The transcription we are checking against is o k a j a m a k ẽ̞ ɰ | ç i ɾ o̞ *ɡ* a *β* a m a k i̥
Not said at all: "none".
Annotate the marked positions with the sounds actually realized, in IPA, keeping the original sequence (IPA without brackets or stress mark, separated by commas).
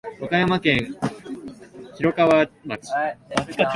k, β